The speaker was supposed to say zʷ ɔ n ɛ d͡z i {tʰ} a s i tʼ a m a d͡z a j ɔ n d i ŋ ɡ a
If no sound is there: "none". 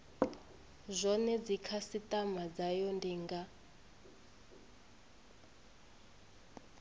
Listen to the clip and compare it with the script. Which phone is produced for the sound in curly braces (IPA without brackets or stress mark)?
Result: kʰ